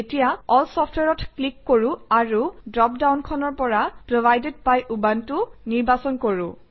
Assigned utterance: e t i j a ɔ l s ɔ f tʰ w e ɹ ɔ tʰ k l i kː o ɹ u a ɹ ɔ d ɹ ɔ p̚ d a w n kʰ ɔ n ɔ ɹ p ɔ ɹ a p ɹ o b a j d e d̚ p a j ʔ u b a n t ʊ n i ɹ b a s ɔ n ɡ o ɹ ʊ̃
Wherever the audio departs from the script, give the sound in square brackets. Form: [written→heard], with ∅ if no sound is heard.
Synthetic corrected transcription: e t i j a ɔ l s ɔ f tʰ w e ɹ ɔ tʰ k l i kː o ɹ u a ɹ [ɔ→u] d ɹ ɔ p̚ d a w n kʰ ɔ n ɔ ɹ p ɔ ɹ a p ɹ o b a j d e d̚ p a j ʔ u b a n t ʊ n i ɹ b a s ɔ n [ɡ→k] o ɹ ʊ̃

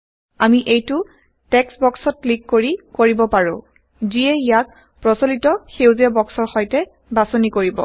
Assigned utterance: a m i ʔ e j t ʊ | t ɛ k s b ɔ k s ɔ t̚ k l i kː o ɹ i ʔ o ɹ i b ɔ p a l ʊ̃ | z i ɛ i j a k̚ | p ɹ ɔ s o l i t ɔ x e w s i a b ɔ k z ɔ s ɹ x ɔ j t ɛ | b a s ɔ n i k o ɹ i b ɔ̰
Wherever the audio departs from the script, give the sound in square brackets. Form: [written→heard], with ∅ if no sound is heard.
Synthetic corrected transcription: a m i ʔ e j t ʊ | t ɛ k s b ɔ k s ɔ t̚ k l i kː o ɹ i [ʔ→k] o ɹ i b ɔ p a [l→ɹ] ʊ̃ | z i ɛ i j a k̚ | p ɹ ɔ s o l i t ɔ x e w [s→z] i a b ɔ k [z→s] ɔ [s→∅] ɹ x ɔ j t ɛ | b a s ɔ n i k o ɹ i b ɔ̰

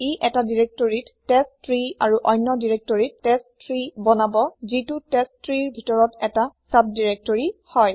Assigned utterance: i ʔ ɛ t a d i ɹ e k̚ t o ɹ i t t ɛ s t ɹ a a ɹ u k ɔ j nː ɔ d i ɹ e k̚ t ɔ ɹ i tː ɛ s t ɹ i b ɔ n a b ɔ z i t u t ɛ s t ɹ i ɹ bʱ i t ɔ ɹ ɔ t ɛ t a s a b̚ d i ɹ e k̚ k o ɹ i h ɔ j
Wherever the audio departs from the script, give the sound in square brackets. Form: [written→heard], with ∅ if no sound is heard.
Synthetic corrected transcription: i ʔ ɛ t a d i ɹ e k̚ t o ɹ i t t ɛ s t ɹ [a→i] a ɹ u [k→ʔ] ɔ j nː ɔ d i ɹ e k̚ t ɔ ɹ i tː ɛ s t ɹ i b ɔ n a b ɔ z i t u t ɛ s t ɹ i ɹ bʱ i t ɔ ɹ ɔ t ɛ t a s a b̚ d i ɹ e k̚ [k→t] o ɹ i h ɔ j

